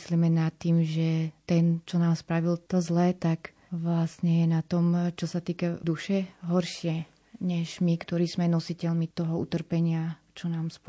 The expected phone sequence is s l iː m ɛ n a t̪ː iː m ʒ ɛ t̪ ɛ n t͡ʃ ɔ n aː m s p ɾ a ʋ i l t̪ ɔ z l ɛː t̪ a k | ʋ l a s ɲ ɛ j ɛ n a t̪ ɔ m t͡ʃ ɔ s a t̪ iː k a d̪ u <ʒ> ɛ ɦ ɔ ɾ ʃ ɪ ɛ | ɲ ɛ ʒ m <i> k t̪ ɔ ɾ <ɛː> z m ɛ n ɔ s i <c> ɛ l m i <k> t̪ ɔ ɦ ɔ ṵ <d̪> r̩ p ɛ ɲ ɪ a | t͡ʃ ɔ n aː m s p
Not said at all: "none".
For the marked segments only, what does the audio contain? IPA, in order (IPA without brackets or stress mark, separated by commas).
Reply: ʃ, i, iː, c, none, t̪